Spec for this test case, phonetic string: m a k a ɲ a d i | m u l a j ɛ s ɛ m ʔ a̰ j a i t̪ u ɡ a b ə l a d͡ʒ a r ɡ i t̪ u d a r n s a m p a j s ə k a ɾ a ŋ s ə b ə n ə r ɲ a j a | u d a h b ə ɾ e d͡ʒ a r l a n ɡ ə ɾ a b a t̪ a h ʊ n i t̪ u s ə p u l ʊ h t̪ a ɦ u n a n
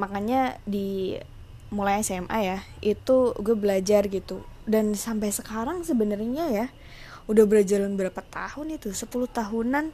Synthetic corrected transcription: m a k a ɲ a d i | m u l a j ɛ s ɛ m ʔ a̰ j a i t̪ u ɡ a b ə l a d͡ʒ a r ɡ i t̪ u d a n s a m p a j s ə k a ɾ a ŋ s ə b ə n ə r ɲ a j a | u d a h b ə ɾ a d͡ʒ a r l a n b ə ɾ a p a t̪ a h ʊ n i t̪ u s ə p u l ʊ h t̪ a ɦ u n a n